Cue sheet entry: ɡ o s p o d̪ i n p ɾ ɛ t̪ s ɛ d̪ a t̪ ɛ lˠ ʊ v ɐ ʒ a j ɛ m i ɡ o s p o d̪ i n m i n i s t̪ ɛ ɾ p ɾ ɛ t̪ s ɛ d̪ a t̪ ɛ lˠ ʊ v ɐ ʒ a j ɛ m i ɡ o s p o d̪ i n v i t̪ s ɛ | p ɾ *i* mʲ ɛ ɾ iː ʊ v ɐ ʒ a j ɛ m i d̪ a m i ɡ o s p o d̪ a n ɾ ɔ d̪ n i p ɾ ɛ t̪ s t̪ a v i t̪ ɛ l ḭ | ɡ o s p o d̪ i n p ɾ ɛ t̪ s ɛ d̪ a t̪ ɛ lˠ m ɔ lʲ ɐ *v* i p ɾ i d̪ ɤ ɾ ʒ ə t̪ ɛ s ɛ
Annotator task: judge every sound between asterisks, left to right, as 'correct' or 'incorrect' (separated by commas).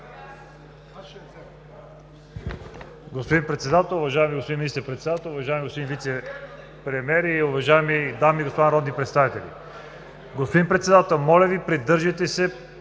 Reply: incorrect, correct